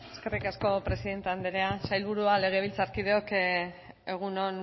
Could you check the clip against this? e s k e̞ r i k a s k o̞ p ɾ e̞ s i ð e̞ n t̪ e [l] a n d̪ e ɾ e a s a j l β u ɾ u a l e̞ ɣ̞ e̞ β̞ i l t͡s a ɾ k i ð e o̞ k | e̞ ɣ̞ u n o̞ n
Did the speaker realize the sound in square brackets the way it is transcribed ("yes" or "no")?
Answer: no